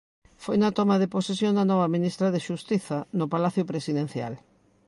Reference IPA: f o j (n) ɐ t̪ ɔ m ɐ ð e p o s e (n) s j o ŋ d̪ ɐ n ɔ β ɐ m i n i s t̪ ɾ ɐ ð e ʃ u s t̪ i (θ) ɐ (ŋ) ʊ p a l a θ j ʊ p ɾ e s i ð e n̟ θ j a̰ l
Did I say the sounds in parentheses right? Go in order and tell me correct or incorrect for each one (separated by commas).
correct, incorrect, correct, incorrect